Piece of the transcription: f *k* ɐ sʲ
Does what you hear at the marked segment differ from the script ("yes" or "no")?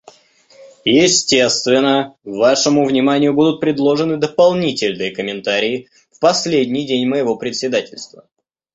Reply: yes